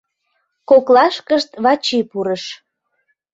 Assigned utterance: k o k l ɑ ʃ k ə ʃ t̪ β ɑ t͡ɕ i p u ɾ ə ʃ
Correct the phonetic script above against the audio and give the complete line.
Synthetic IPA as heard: k o k l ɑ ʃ k ə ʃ t̪ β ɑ t͡ɕ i p u ɾ ə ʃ